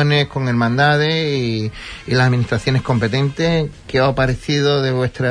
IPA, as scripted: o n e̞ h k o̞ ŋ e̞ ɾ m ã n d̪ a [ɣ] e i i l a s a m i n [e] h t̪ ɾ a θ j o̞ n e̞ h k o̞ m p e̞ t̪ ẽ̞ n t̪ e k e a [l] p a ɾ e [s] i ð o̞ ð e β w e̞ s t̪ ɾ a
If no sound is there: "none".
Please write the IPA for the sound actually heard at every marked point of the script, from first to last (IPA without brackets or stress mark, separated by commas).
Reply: ð, i, none, θ